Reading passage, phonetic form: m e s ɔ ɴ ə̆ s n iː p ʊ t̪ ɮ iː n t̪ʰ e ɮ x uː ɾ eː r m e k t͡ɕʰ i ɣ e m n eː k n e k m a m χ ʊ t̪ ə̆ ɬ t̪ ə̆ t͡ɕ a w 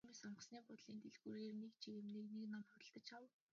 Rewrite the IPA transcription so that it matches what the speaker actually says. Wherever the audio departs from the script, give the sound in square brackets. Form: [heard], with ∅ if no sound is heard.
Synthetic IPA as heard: m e s ɔ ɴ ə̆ s n iː p ʊ t̪ ɮ iː n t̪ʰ e ɮ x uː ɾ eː r [n] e k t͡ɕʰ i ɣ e m n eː k n e k [n] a m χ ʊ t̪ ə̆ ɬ t̪ ə̆ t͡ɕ a w